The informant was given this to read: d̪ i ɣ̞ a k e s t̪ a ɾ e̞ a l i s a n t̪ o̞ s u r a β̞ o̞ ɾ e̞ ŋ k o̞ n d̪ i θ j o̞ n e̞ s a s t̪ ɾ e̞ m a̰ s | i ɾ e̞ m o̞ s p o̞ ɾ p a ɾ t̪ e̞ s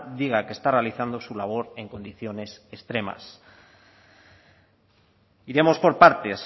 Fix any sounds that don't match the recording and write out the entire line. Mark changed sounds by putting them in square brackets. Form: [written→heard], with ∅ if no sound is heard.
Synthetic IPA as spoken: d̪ i ɣ̞ a k e s t̪ a [ɾ→r] e̞ a l i [s→θ] a n [t̪→d̪] o̞ s u [r→l] a β̞ o̞ ɾ e̞ ŋ k o̞ n d̪ i θ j o̞ n e̞ s [a→e] s t̪ ɾ e̞ m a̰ s | i ɾ e̞ m o̞ s p o̞ ɾ p a ɾ t̪ e̞ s